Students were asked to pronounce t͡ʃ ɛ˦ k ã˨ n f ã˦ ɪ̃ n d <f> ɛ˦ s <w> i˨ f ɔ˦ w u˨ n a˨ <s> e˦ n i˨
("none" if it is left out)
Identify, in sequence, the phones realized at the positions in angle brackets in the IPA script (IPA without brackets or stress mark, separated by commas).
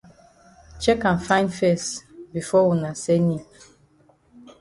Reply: f, b, s